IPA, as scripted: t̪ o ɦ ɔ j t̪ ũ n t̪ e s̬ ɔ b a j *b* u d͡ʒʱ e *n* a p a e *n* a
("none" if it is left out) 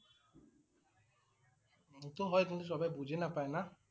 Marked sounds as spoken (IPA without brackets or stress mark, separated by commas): b, n, n